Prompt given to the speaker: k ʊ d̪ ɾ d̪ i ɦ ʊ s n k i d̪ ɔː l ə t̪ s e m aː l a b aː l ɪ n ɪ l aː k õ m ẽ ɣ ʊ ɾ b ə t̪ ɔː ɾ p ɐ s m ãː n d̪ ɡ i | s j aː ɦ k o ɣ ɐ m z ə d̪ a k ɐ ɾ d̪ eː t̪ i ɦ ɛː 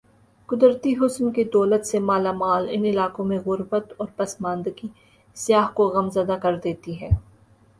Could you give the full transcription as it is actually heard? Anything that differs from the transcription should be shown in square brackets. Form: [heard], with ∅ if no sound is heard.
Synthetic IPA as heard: k ʊ d̪ ɾ [t̪] i ɦ ʊ s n k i d̪ ɔː l ə t̪ s e m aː l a [m] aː l ɪ n ɪ l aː k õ m ẽ ɣ ʊ ɾ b ə t̪ ɔː ɾ p ɐ s m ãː n d̪ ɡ i | s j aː ɦ k o ɣ ɐ m z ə d̪ a k ɐ ɾ d̪ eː t̪ i ɦ ɛː

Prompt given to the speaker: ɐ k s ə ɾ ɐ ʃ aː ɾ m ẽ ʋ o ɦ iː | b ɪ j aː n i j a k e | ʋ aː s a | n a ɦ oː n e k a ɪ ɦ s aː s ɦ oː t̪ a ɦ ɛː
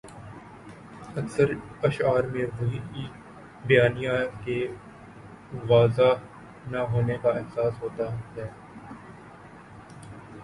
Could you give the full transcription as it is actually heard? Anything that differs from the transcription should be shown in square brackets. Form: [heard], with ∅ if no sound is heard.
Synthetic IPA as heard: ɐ k s ə ɾ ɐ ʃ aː ɾ m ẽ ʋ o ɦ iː | b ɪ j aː n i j a k e | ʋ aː [z] a | n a ɦ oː n e k a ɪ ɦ s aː s ɦ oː t̪ a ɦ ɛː

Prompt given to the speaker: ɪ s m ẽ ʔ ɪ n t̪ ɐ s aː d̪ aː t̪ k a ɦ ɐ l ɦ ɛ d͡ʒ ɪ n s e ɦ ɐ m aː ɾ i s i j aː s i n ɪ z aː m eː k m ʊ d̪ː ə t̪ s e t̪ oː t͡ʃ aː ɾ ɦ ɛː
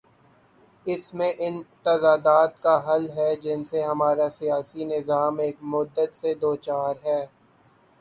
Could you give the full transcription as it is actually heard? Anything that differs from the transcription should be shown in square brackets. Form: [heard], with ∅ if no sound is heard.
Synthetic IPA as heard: ɪ s m ẽ ʔ ɪ n t̪ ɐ [z] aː d̪ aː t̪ k a ɦ ɐ l ɦ ɛ d͡ʒ ɪ n s e ɦ ɐ m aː ɾ [a] s i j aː s i n ɪ z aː m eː k m ʊ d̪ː ə t̪ s e [d̪] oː t͡ʃ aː ɾ ɦ ɛː

